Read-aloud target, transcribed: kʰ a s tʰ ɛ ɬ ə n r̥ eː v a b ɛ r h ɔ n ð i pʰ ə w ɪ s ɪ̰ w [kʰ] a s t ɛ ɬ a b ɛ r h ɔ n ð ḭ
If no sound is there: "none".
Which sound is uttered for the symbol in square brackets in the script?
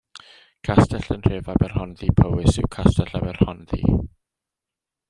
kʰ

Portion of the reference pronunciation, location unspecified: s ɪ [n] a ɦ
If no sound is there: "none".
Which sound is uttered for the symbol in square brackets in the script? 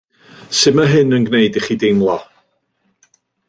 m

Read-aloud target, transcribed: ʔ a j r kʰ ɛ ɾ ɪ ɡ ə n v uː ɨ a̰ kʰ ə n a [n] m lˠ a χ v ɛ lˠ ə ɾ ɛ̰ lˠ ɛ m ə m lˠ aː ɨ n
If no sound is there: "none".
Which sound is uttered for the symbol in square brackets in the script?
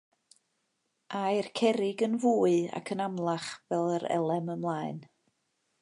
none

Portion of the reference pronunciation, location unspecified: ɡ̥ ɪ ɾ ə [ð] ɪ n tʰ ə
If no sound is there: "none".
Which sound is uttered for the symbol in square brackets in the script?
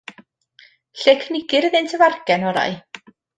ð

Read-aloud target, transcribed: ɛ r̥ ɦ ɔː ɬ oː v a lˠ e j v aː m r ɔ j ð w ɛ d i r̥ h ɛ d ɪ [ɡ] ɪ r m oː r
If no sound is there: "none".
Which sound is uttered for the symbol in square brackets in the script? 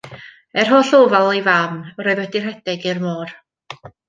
ɡ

